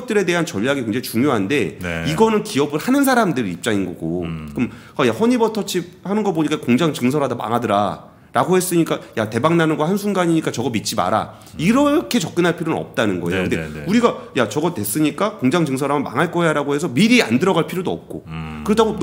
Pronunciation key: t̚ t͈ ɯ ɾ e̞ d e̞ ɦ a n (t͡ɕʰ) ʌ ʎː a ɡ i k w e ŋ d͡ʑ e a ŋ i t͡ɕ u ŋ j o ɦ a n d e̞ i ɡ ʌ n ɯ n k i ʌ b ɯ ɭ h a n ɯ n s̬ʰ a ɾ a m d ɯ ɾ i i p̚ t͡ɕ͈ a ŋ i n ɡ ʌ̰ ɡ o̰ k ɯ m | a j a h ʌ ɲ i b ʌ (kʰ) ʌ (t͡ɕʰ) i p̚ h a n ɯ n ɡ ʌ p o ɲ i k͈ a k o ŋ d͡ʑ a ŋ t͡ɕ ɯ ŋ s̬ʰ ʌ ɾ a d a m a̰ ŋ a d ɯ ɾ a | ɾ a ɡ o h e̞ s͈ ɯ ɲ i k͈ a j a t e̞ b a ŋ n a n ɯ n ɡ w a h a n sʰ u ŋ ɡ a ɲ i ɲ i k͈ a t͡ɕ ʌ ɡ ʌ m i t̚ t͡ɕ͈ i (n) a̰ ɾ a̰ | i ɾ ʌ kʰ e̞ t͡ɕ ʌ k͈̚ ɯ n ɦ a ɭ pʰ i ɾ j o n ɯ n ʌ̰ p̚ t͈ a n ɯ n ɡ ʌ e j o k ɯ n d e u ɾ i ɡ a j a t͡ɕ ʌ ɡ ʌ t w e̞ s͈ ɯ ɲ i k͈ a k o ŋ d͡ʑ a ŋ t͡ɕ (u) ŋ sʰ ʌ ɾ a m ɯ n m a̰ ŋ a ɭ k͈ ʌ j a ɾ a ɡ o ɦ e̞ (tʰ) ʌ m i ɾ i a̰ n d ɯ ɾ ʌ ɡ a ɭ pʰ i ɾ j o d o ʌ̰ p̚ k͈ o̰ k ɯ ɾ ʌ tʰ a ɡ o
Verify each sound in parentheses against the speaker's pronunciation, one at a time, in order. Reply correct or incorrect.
incorrect, incorrect, correct, incorrect, incorrect, incorrect

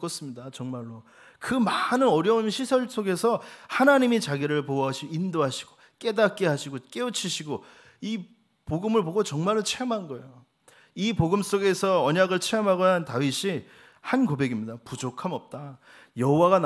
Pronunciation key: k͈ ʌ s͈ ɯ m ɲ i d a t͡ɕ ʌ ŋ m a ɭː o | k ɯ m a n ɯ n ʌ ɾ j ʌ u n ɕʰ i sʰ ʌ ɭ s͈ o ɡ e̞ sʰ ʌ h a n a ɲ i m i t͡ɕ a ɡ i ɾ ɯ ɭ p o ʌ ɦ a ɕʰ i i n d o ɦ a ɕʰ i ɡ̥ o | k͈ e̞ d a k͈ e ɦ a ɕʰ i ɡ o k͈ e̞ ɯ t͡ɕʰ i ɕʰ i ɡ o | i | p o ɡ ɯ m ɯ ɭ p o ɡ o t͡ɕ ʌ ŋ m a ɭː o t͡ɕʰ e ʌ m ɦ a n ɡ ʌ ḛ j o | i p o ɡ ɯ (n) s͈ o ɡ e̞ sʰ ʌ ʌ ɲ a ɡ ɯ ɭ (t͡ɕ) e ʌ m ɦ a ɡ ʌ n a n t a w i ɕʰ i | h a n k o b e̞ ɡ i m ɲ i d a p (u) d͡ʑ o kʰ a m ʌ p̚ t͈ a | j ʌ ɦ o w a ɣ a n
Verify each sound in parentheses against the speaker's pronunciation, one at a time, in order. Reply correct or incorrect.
incorrect, incorrect, correct

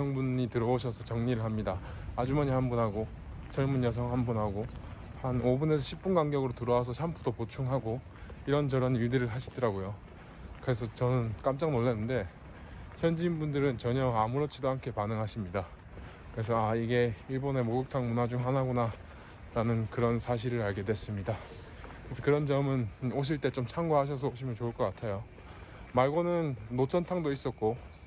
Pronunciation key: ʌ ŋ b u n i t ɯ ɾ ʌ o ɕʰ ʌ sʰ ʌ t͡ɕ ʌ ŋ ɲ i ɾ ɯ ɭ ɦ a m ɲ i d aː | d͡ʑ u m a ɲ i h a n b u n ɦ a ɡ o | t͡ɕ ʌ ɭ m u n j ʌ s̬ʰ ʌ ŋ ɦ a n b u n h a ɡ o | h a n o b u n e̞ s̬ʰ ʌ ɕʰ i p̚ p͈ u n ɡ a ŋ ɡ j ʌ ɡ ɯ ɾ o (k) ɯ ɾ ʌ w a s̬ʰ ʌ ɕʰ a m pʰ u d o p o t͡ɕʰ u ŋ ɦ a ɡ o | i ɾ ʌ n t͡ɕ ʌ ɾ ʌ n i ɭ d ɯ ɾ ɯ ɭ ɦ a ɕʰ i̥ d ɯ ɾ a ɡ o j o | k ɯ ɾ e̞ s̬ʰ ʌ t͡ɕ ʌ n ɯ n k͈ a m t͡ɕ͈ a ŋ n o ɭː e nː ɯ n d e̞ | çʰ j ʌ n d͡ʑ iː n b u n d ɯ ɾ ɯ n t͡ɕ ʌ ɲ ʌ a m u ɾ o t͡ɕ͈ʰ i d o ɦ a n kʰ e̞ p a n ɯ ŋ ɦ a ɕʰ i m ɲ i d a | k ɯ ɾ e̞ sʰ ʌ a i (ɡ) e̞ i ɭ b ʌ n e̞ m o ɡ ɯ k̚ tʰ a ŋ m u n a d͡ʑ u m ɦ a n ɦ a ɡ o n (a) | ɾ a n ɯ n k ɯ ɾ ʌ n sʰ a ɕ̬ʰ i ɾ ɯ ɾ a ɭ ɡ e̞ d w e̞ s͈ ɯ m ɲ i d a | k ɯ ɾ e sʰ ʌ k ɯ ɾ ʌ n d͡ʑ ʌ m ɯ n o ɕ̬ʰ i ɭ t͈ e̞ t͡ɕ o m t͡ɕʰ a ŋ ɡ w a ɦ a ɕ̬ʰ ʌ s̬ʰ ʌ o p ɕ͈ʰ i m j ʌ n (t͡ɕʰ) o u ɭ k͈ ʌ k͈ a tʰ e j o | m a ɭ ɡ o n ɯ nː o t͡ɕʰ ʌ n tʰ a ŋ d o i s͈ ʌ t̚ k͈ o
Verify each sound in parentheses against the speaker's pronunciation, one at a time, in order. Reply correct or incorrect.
incorrect, correct, correct, incorrect

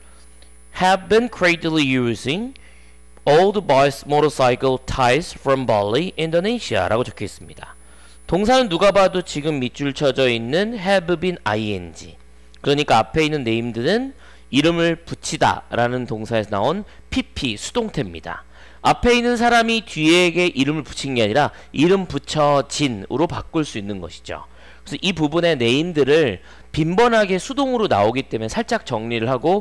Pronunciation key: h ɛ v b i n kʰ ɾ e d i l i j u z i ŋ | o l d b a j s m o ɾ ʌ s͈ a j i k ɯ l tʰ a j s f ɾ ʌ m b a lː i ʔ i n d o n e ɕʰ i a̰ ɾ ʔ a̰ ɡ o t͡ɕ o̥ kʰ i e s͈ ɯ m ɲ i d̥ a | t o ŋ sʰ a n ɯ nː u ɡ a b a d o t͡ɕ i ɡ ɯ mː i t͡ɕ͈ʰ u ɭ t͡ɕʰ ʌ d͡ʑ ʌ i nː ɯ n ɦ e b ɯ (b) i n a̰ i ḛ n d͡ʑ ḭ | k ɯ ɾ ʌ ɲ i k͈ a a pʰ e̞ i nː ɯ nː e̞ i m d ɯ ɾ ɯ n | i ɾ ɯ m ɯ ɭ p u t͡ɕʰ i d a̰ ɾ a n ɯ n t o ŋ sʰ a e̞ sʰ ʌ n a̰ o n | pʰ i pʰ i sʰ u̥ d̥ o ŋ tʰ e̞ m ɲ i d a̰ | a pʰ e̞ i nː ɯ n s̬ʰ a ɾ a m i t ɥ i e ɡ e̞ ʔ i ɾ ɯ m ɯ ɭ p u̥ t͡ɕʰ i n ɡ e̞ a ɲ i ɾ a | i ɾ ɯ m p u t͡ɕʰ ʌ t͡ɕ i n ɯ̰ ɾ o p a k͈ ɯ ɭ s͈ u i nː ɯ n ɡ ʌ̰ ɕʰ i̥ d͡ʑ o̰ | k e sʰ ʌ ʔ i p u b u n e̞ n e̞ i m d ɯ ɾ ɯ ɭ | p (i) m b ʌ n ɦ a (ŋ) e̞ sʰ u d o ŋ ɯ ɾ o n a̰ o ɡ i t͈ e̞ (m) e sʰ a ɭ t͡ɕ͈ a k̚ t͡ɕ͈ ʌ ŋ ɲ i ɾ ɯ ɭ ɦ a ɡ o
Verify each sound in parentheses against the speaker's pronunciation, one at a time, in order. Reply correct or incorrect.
correct, correct, incorrect, correct

